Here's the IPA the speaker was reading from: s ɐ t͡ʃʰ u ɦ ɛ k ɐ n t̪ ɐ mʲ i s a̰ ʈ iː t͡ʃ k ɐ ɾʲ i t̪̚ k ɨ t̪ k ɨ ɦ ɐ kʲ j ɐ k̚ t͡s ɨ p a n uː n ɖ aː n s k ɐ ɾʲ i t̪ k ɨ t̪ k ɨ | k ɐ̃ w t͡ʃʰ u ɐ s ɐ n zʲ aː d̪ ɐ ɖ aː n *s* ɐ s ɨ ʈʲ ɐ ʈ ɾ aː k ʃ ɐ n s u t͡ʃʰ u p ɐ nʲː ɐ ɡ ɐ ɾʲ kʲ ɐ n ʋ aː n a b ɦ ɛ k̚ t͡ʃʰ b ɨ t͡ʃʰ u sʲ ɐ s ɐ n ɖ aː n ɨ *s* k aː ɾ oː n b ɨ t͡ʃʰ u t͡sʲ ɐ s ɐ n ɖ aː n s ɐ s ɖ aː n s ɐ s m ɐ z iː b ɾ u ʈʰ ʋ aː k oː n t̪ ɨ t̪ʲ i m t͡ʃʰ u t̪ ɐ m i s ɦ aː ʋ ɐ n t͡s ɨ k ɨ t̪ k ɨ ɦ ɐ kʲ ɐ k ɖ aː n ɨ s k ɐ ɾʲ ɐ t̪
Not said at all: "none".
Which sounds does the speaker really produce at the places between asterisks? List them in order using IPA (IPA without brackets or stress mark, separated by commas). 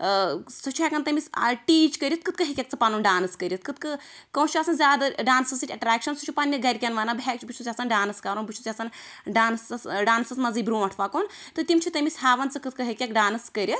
s, s